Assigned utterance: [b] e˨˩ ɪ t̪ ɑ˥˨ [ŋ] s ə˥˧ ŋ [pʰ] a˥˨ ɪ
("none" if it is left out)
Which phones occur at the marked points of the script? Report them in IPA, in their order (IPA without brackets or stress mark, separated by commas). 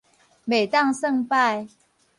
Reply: m, ŋ, p